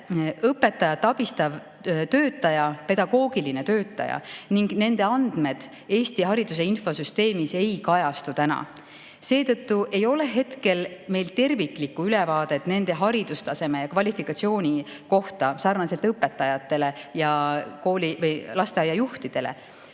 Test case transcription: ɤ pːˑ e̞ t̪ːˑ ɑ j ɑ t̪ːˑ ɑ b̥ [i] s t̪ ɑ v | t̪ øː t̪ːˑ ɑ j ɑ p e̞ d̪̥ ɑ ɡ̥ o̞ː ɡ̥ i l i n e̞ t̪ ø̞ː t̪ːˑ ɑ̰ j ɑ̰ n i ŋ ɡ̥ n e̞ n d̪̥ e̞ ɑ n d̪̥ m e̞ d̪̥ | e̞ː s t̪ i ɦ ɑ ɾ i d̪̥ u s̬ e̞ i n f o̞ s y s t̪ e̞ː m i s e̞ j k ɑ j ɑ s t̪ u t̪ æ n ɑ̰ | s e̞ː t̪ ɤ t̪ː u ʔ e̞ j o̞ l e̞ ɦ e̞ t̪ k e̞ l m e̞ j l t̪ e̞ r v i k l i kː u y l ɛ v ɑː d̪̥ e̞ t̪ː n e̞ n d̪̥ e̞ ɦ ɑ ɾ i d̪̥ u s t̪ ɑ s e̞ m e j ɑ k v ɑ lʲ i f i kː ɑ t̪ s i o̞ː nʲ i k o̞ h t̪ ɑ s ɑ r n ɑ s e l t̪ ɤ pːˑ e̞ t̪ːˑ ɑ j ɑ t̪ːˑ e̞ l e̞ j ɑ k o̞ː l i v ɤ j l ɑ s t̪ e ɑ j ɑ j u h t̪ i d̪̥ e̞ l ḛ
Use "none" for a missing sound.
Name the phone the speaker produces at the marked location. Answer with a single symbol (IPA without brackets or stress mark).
i